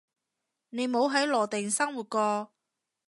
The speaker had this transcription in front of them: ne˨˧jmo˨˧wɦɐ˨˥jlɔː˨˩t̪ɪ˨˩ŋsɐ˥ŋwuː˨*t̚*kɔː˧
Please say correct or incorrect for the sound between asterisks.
correct